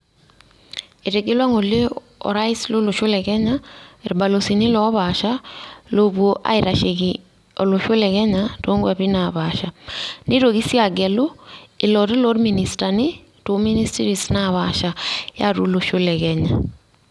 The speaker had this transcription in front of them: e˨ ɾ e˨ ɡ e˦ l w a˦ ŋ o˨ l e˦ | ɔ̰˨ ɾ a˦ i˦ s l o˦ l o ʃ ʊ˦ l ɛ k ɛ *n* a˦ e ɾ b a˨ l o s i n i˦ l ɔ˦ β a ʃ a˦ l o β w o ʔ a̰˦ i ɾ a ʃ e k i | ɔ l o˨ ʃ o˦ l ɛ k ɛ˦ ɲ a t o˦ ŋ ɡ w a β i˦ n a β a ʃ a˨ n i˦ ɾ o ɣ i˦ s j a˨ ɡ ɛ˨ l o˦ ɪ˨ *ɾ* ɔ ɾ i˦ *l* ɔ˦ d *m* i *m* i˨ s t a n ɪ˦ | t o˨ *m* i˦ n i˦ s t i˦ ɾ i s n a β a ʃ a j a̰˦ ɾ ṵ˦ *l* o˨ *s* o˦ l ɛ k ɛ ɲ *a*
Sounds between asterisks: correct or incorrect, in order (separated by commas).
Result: incorrect, incorrect, correct, correct, incorrect, correct, correct, incorrect, correct